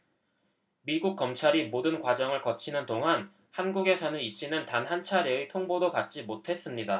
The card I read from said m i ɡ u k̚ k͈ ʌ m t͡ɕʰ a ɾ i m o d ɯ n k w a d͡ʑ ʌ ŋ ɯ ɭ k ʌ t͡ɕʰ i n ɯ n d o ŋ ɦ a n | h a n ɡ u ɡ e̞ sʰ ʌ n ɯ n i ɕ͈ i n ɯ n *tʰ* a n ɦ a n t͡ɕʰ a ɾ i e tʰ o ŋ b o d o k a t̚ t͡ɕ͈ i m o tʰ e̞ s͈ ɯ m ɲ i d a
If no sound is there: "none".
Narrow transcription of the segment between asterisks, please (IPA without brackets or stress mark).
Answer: t